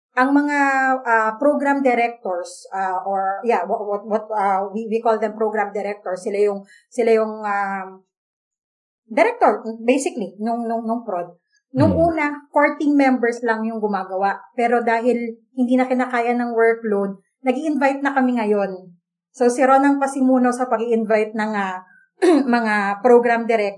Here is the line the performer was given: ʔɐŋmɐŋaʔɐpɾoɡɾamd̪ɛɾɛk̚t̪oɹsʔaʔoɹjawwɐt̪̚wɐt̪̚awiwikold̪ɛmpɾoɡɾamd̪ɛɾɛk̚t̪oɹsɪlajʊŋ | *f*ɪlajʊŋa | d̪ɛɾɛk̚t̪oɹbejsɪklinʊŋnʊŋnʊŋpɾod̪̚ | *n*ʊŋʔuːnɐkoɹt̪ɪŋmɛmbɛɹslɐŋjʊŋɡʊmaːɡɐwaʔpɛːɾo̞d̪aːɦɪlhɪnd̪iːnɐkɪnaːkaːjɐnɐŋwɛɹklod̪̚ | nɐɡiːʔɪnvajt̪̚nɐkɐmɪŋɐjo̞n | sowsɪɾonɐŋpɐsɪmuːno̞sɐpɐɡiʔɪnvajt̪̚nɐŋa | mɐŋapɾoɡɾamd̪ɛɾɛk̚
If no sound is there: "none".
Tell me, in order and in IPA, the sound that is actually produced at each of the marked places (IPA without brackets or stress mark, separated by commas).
s, n